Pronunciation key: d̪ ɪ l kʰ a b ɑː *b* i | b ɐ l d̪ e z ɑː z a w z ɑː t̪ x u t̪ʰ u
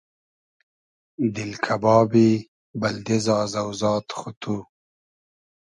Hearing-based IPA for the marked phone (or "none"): b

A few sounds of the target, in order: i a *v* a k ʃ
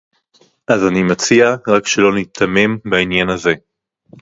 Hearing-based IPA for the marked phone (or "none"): ʁ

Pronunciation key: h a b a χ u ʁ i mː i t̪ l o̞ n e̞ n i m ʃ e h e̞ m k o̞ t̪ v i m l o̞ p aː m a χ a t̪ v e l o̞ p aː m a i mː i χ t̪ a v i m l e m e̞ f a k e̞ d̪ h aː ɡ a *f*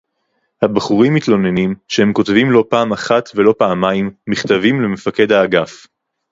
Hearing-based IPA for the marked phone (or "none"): f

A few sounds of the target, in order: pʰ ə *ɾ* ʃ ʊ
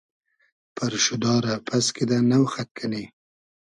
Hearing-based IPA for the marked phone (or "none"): ɾ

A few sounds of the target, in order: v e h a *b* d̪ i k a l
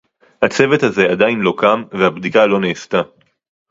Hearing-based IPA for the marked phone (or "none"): b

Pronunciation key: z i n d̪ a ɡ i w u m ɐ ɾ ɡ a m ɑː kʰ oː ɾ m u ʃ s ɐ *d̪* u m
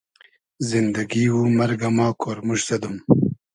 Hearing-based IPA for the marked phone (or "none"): d̪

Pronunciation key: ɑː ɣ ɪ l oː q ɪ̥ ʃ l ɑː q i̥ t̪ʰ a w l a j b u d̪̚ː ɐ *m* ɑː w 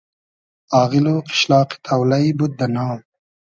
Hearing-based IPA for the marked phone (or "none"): n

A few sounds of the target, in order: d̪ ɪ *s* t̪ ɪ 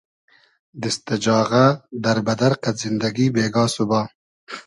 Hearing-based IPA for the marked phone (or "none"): s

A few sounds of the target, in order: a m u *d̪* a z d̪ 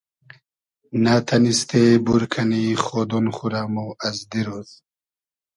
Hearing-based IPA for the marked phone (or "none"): none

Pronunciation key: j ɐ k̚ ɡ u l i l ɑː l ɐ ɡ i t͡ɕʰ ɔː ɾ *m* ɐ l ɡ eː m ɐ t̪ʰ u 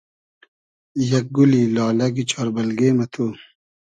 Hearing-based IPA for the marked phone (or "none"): b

